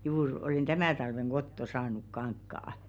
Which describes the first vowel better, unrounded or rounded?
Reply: rounded